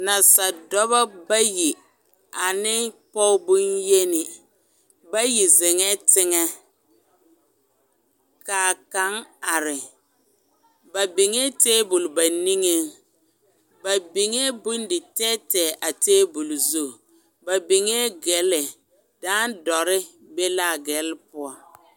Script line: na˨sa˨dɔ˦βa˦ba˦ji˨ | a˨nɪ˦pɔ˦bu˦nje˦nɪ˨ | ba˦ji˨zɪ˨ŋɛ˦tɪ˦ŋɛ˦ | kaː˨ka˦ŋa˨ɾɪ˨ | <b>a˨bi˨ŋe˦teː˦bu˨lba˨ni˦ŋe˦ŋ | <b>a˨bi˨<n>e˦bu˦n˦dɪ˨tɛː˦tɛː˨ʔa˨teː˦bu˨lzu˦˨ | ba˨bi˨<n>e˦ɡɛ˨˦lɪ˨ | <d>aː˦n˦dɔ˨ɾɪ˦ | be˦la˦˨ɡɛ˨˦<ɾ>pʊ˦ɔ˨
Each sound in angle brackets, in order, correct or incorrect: correct, correct, incorrect: ŋ, incorrect: ŋ, correct, incorrect: l

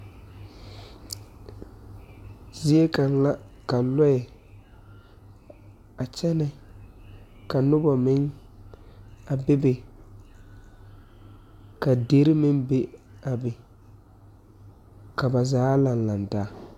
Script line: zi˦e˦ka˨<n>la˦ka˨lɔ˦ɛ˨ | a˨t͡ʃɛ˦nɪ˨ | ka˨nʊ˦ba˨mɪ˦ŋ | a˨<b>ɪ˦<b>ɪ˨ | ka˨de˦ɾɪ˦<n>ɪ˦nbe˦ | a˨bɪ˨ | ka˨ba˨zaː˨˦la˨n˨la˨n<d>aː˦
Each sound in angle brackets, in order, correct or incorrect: correct, correct, correct, incorrect: m, correct

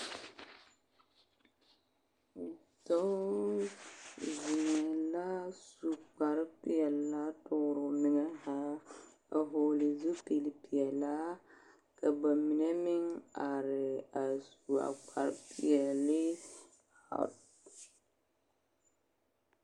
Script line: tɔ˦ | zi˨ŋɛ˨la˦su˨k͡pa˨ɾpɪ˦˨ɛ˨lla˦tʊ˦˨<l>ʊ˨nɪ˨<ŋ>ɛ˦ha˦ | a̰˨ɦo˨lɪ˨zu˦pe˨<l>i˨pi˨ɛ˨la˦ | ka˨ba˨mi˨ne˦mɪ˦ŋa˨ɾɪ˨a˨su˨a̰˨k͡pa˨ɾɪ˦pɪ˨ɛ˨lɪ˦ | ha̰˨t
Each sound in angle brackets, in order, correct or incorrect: incorrect: ɾ, correct, correct

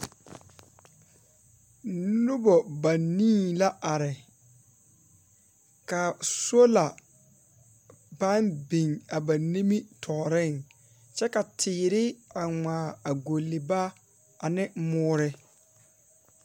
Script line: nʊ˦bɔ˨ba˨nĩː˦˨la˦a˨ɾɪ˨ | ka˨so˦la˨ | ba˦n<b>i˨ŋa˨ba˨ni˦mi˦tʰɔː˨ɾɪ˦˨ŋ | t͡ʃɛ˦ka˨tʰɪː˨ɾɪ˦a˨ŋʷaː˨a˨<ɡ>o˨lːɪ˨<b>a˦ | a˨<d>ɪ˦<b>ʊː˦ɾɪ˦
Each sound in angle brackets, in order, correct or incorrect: correct, correct, correct, incorrect: n, incorrect: m

